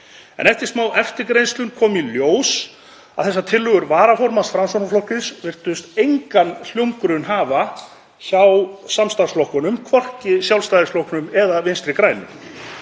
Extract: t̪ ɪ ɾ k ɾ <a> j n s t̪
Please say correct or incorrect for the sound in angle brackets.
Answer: incorrect